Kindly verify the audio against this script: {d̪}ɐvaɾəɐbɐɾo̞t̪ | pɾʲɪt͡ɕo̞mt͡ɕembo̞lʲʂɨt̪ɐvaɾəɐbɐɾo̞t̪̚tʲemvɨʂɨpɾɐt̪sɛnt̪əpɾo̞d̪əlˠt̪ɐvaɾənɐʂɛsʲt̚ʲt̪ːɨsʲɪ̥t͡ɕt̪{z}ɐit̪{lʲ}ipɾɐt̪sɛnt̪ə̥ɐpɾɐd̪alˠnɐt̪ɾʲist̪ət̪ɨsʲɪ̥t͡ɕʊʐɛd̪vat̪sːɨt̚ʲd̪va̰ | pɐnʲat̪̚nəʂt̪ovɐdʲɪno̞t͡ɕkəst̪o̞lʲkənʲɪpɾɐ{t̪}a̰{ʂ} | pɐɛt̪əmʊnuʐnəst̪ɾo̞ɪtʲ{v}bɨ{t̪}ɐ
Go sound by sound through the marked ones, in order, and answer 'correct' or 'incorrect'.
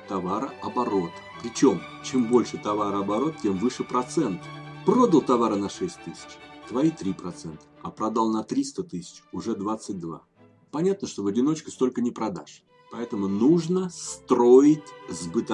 incorrect: t̪, incorrect: v, incorrect: ɾʲ, incorrect: d̪, correct, incorrect: z, correct

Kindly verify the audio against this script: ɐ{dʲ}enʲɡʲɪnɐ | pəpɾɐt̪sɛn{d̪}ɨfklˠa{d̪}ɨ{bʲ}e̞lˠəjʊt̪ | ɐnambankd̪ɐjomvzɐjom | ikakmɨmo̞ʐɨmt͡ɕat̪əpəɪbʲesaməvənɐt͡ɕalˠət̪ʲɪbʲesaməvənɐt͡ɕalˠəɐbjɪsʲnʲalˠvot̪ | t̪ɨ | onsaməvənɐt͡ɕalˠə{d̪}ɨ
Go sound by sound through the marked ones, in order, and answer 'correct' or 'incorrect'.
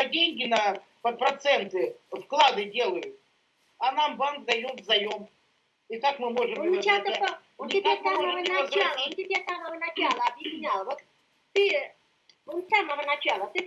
correct, incorrect: t̪, correct, incorrect: dʲ, incorrect: t̪

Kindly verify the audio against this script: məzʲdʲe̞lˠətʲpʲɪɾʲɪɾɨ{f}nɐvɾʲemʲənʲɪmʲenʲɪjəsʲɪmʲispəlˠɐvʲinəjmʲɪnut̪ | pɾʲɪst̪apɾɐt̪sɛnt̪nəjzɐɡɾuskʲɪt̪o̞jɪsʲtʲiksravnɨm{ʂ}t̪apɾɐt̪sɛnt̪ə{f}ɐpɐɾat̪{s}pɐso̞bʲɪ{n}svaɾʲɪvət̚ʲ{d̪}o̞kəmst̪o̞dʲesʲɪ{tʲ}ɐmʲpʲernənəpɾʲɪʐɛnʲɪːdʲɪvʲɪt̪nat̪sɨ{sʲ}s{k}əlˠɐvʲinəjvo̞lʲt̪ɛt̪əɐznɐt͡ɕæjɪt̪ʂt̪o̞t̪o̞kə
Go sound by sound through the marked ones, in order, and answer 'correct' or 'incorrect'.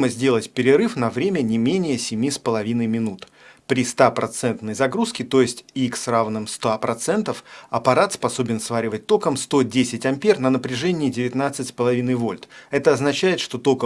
correct, incorrect: s, correct, correct, correct, incorrect: t̪, correct, incorrect: tʲ, incorrect: p

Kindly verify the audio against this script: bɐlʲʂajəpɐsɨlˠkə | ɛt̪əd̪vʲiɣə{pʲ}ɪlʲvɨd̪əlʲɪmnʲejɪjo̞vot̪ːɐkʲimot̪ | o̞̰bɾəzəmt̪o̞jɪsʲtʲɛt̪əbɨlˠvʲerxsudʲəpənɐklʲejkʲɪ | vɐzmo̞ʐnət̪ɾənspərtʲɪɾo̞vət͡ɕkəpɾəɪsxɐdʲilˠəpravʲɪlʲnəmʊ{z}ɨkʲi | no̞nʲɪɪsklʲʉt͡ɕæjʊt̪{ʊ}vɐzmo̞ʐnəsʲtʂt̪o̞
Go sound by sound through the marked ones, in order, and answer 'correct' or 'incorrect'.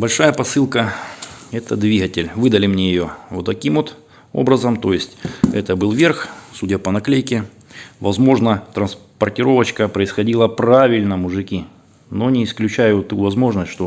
incorrect: tʲ, incorrect: ʐ, incorrect: u

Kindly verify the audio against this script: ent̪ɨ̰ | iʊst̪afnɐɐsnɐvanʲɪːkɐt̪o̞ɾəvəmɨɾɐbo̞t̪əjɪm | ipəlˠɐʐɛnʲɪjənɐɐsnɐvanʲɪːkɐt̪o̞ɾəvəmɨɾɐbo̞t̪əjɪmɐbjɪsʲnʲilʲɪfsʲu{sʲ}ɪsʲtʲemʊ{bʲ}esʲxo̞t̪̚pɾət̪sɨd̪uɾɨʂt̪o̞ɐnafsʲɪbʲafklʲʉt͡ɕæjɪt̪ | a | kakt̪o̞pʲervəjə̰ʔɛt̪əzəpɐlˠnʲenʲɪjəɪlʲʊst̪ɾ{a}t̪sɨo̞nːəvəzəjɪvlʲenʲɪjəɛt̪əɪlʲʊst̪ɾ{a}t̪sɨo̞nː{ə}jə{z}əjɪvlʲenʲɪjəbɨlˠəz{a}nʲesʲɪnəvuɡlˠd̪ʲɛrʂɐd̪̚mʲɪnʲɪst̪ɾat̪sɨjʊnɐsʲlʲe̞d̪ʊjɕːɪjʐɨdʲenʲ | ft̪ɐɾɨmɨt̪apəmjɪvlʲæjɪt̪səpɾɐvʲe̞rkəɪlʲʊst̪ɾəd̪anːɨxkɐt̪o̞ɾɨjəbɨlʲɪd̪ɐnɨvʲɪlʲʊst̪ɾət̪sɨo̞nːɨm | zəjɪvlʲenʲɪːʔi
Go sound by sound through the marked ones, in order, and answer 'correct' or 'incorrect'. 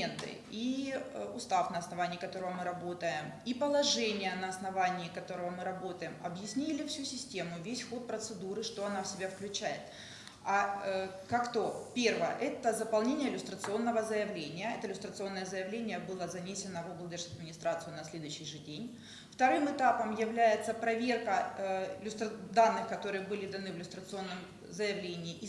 correct, incorrect: vʲ, incorrect: ə, incorrect: ə, correct, correct, incorrect: ɐ

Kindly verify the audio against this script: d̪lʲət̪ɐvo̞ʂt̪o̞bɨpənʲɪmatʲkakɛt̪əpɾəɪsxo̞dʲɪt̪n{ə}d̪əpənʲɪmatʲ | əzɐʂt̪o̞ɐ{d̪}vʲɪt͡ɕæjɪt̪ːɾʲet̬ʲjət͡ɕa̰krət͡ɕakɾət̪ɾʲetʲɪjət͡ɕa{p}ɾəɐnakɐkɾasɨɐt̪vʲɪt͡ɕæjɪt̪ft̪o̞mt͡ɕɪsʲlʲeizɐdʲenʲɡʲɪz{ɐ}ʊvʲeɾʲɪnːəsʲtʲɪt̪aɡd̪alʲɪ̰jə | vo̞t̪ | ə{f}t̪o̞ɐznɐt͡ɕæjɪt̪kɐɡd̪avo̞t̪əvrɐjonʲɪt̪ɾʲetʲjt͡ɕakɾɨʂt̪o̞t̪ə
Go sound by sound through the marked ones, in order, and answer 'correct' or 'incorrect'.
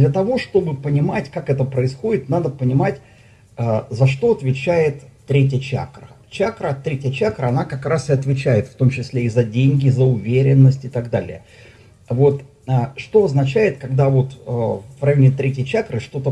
incorrect: a, incorrect: t̪, incorrect: k, incorrect: ə, incorrect: ʂ

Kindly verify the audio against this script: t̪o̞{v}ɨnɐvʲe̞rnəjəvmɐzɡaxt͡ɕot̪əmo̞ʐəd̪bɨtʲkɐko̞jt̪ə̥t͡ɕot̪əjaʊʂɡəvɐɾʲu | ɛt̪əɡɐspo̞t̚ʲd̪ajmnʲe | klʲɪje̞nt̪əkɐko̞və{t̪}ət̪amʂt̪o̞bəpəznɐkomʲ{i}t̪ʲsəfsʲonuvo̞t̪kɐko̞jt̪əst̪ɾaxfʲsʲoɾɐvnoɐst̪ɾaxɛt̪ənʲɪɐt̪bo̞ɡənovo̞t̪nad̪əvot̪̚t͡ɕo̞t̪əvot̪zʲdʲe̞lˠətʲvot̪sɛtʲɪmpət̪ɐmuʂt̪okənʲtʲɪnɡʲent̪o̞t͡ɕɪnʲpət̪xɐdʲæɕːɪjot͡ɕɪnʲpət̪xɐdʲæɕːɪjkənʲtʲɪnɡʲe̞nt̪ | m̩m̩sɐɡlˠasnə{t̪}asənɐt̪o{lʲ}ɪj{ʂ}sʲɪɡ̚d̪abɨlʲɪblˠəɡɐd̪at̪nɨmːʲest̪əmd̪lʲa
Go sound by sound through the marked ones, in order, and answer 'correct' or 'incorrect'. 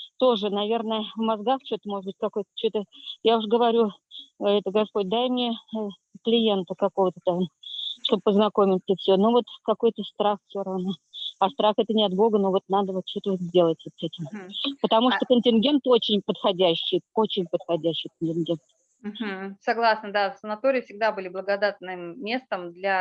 incorrect: ʐ, correct, incorrect: ɪ, incorrect: d̪, incorrect: ɾʲ, incorrect: f

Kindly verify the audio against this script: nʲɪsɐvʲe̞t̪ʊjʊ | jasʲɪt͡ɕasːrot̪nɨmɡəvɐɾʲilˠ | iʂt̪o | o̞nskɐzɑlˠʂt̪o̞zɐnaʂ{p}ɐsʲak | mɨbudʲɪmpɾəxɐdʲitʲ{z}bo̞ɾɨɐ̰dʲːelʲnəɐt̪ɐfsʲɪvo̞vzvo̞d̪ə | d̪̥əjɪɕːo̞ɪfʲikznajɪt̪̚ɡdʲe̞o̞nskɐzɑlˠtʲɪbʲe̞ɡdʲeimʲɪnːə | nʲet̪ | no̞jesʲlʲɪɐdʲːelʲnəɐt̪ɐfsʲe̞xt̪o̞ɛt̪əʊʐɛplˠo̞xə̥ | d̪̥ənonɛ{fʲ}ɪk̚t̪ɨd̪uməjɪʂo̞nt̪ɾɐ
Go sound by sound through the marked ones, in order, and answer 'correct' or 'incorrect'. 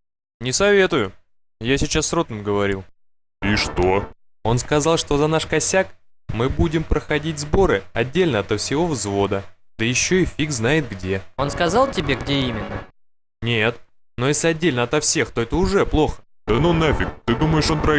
incorrect: k, correct, correct

